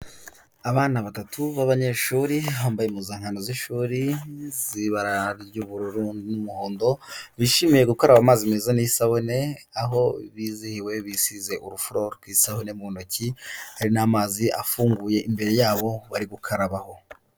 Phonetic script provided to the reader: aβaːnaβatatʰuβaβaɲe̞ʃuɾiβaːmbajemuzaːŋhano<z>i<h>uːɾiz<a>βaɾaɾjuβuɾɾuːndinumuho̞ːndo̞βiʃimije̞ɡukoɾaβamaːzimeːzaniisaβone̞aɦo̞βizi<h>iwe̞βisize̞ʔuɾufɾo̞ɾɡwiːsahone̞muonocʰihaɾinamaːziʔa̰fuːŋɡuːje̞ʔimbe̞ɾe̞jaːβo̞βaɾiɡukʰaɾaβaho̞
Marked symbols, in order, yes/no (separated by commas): yes, no, no, yes